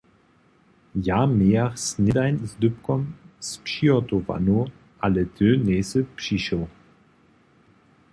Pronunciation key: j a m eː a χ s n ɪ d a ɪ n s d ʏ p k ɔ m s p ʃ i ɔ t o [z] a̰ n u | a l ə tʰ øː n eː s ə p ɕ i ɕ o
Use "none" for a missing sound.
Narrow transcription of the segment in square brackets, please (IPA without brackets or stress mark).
v